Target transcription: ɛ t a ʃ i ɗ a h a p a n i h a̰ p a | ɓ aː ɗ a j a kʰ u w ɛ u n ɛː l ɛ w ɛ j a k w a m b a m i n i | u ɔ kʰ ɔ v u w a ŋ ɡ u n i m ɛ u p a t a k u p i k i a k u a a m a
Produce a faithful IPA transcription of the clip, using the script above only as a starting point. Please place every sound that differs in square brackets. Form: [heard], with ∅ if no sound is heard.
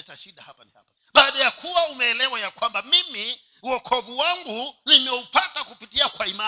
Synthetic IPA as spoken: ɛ t a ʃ i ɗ a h a p a n i h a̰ p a | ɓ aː ɗ a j a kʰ u w [a] u [m] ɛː l ɛ w [a] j a k w a m b a m i [m] i | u ɔ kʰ ɔ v u w a ŋ ɡ u n i m ɛ u p a t a k u p i [t] i a k [w] a [i] m a